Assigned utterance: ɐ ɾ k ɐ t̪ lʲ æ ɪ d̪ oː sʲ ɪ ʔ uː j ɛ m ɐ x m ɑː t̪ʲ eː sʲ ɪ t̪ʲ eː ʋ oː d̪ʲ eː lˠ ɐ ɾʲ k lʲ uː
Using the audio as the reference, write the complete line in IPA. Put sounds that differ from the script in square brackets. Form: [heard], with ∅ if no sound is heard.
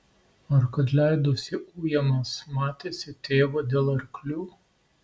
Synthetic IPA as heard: ɐ ɾ k ɐ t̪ lʲ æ ɪ d̪ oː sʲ ɪ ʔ uː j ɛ m ɐ [s] m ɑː t̪ʲ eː sʲ ɪ t̪ʲ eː ʋ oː d̪ʲ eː lˠ ɐ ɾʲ k lʲ uː